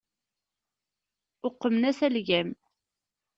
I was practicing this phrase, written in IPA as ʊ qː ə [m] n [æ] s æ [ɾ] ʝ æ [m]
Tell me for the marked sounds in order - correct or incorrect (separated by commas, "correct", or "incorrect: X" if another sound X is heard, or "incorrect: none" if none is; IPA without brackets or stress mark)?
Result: correct, correct, incorrect: l, correct